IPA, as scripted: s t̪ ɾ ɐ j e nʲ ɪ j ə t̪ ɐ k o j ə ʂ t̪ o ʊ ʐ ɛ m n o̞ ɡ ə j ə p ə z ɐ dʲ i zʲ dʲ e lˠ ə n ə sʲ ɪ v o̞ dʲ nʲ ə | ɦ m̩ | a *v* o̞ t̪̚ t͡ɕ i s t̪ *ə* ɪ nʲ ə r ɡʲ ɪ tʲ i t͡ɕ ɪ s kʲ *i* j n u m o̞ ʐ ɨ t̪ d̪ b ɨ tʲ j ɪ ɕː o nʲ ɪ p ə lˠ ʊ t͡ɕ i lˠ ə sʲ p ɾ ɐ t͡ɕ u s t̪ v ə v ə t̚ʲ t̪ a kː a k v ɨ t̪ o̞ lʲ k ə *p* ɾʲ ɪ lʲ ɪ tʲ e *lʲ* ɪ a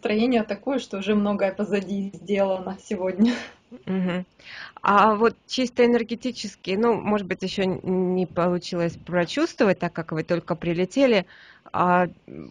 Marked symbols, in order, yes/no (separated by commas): yes, yes, no, yes, yes